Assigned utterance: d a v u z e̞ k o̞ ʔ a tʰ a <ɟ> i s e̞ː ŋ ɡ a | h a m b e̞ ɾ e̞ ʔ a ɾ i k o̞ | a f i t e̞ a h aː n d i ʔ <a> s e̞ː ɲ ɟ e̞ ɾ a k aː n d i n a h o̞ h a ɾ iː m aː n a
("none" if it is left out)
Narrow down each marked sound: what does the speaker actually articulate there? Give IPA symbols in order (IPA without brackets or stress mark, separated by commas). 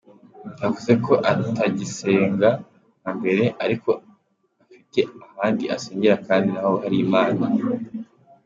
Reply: ɟ, a